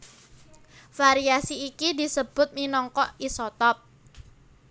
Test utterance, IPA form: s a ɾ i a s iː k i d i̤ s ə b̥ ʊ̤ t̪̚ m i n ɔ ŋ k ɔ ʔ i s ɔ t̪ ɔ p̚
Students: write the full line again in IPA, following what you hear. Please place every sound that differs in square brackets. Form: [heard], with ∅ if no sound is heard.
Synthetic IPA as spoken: [f] a ɾ i a s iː k i d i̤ s ə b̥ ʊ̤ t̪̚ m i n ɔ ŋ k ɔ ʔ i s ɔ t̪ ɔ p̚

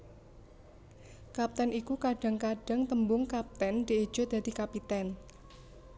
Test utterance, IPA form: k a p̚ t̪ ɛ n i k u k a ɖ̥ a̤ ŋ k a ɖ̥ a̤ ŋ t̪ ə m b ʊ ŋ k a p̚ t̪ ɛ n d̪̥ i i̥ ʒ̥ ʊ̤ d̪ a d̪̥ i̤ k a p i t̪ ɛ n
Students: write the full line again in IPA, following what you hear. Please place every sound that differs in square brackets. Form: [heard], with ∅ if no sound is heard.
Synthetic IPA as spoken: k a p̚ t̪ ɛ n i k u k a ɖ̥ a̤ ŋ k a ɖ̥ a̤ ŋ t̪ ə m b ʊ ŋ k a p̚ t̪ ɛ n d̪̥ i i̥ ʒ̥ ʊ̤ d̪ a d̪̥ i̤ k a p i t̪ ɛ n

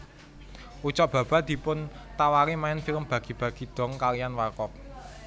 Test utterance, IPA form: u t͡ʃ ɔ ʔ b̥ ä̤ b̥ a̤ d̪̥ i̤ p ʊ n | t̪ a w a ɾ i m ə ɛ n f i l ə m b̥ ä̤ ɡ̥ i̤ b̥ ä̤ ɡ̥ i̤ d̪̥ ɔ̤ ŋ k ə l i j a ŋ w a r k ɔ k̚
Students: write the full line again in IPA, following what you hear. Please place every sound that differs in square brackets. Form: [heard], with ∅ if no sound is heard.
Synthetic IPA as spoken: u t͡ʃ ɔ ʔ b̥ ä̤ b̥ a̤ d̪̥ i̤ p ʊ n | t̪ a w a ɾ i m [a] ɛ n f i l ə m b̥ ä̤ ɡ̥ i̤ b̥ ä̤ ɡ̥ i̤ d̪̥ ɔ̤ ŋ k [a] l i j a [n] w a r k ɔ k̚

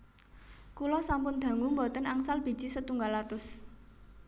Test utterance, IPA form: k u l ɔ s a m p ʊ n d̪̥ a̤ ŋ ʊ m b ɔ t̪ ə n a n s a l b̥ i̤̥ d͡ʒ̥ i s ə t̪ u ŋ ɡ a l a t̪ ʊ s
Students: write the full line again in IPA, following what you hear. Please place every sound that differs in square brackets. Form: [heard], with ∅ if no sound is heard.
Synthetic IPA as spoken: k u l ɔ s a m p ʊ n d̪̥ a̤ ŋ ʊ m b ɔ t̪ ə n a [ŋ] s a l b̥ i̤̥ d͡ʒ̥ i s ə t̪ u ŋ ɡ a l a t̪ ʊ s

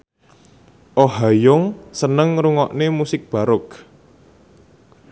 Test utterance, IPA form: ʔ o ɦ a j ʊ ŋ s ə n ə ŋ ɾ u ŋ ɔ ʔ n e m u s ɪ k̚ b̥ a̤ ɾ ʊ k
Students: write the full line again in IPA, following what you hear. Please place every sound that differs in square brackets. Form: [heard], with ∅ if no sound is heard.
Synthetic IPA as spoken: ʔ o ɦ a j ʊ ŋ s ə n ə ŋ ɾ u ŋ ɔ ʔ n e m u s ɪ k̚ b̥ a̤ ɾ ʊ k

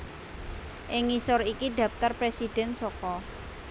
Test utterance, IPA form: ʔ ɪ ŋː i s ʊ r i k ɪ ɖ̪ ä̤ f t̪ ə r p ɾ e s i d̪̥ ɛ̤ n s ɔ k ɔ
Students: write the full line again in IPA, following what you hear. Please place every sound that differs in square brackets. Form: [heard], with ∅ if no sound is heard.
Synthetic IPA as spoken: ʔ ɪ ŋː i s ʊ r i k [i] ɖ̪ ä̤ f t̪ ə r p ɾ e s i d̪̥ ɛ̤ n s ɔ k ɔ

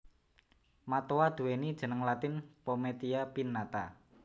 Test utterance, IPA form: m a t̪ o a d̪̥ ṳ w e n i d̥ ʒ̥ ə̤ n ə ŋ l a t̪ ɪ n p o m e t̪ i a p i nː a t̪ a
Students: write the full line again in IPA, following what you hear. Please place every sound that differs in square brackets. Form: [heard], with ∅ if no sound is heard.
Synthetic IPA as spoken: m a t̪ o a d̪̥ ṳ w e n i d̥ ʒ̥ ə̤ n ə ŋ l a t̪ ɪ n p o m e t̪ i a p i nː a t̪ a

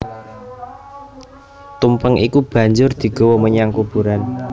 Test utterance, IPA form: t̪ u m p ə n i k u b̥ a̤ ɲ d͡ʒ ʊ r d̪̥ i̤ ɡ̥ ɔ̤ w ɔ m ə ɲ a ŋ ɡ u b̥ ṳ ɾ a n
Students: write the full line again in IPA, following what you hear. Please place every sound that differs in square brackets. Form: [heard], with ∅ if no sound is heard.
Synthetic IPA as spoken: t̪ u m p ə [ŋ] i k u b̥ a̤ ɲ d͡ʒ ʊ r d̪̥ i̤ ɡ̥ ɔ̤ w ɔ m ə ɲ a ŋ [k] u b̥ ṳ ɾ a n

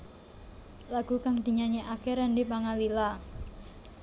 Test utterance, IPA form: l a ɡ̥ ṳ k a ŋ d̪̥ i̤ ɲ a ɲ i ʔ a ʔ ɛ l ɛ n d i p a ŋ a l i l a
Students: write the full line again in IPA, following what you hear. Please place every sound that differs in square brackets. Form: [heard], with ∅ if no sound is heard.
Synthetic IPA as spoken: l a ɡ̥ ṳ k a ŋ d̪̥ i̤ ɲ a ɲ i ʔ a [k] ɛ [ɾ] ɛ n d i p a ŋ a l i l a

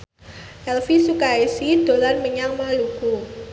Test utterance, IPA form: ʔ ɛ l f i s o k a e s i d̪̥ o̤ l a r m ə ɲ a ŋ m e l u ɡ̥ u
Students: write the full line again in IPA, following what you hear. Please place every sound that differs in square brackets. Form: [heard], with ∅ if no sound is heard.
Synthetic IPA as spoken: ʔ ɛ l f i s [u] k a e s i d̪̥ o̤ l a r m ə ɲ a ŋ m [a] l u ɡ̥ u

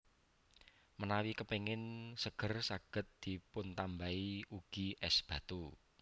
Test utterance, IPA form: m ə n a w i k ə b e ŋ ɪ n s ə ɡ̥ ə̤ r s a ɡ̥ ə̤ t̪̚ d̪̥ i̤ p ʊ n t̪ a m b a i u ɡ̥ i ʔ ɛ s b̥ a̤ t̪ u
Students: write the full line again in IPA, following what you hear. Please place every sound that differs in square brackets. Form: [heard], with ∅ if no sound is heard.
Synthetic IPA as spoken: m ə n a w i k ə [p] e ŋ ɪ n s ə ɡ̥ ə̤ r s a ɡ̥ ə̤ t̪̚ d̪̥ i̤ p ʊ n t̪ a m b a i u ɡ̥ i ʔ ɛ s b̥ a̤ t̪ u

